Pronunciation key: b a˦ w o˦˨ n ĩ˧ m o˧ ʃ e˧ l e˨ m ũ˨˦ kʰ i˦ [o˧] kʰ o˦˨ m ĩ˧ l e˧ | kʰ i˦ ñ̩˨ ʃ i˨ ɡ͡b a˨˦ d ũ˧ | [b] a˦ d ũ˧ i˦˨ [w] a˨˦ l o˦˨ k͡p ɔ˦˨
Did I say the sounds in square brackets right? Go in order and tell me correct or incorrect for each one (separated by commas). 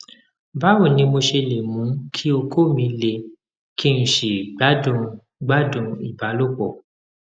correct, incorrect, incorrect